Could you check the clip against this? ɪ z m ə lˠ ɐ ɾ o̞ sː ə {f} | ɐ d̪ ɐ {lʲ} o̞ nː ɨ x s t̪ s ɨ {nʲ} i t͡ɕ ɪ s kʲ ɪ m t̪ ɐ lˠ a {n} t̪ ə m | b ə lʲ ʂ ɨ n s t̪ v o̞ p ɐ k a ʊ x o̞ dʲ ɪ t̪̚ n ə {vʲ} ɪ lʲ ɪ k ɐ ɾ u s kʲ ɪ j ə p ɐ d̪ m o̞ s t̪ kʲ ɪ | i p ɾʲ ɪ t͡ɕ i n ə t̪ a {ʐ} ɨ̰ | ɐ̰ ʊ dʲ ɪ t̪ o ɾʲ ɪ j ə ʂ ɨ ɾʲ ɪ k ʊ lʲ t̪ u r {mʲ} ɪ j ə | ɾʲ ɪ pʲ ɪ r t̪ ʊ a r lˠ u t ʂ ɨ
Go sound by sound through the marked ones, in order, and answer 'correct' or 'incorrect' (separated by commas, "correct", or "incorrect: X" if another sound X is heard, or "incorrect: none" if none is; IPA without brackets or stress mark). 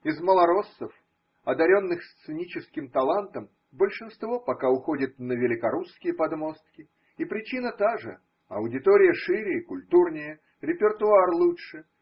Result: correct, incorrect: ɾʲ, correct, correct, correct, correct, incorrect: nʲ